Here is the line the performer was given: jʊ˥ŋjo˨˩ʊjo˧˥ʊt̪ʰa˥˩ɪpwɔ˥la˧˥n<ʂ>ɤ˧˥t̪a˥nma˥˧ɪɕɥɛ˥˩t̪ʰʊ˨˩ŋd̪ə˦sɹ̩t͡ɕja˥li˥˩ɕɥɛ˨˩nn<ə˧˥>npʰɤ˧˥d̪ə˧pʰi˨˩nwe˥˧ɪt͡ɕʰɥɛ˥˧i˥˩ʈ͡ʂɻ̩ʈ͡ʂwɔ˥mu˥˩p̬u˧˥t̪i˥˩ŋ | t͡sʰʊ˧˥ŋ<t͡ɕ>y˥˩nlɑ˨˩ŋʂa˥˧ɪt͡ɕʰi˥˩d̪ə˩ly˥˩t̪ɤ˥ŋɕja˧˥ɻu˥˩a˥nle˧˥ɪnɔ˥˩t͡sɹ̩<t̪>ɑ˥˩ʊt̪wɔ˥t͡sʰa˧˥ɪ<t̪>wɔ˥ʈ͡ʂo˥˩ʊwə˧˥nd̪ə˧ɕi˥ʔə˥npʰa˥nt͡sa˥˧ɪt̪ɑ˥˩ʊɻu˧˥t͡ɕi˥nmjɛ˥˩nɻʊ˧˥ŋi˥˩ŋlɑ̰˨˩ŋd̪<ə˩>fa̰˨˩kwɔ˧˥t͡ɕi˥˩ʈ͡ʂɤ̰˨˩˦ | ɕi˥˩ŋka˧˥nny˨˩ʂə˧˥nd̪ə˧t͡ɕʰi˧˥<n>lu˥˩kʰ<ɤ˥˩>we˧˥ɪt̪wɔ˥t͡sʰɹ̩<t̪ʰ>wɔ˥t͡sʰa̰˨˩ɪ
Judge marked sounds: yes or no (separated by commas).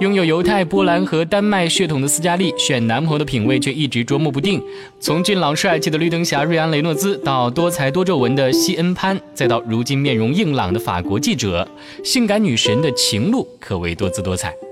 no, no, yes, yes, yes, no, no, no, no